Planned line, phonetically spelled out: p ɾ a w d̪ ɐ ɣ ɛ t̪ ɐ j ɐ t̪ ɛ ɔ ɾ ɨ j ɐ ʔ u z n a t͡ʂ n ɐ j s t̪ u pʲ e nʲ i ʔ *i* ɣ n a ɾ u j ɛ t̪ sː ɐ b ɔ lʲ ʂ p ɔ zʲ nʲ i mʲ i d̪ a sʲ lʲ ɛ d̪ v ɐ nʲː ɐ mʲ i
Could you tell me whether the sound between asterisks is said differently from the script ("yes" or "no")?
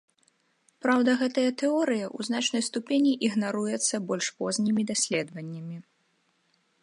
no